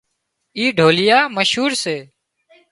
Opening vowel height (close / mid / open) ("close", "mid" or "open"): close